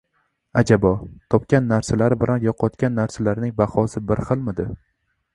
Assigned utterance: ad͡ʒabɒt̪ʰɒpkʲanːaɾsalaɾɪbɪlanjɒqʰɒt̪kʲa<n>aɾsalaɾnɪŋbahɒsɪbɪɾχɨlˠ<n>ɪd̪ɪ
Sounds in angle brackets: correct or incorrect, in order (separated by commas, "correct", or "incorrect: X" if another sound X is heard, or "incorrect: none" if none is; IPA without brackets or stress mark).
incorrect: nː, incorrect: m